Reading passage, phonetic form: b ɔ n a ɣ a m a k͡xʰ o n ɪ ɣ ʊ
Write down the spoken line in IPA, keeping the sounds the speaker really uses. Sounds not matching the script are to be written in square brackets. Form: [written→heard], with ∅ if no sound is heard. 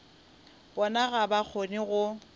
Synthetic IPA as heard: b ɔ n a ɣ a [m→b] a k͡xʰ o n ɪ ɣ ʊ